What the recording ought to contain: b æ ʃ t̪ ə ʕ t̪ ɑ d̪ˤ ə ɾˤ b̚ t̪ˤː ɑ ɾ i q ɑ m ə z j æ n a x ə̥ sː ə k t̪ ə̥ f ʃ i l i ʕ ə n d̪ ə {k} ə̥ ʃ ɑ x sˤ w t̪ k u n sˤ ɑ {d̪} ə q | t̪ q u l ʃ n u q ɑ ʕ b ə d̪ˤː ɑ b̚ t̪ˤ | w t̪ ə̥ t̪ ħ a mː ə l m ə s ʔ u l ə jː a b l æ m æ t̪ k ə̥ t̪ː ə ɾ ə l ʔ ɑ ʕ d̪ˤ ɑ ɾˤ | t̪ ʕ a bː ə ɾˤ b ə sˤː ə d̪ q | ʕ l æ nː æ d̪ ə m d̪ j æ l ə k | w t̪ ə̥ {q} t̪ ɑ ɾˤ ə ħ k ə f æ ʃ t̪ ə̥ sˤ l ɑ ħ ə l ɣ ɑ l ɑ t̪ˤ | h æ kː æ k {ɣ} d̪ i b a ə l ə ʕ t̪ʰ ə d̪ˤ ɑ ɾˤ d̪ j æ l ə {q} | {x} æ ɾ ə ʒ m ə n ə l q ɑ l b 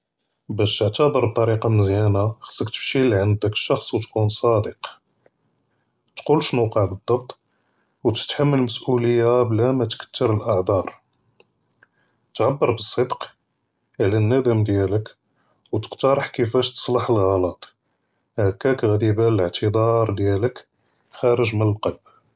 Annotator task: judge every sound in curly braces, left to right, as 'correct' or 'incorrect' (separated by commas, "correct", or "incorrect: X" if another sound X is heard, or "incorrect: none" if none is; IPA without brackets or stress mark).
correct, correct, correct, correct, incorrect: k, correct